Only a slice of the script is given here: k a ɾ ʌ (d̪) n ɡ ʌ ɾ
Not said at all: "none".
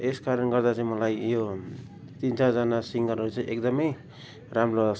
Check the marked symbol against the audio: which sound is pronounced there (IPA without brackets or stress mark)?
none